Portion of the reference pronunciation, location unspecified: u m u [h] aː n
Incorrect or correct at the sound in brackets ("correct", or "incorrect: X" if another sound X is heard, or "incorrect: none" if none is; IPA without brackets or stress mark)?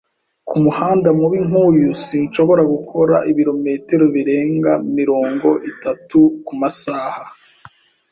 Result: correct